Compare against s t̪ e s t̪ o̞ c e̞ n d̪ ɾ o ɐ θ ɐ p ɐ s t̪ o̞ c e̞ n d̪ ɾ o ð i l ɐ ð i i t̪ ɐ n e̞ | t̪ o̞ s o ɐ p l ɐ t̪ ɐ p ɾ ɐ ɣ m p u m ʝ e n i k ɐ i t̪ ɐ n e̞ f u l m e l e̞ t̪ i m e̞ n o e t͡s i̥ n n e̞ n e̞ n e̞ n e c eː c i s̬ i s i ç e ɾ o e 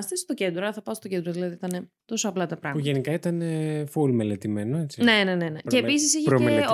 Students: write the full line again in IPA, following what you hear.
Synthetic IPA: s t̪ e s t̪ o̞ c e̞ n d̪ ɾ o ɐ θ ɐ p ɐ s t̪ o̞ c e̞ n d̪ ɾ o ð i l ɐ ð i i t̪ ɐ n e̞ | t̪ o̞ s o ɐ p l ɐ t̪ ɐ p ɾ ɐ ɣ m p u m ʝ e n i k ɐ i t̪ ɐ n e̞ f u l m e l e̞ t̪ i m e̞ n o e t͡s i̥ n n e̞ n e̞ n e̞ n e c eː p i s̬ i s i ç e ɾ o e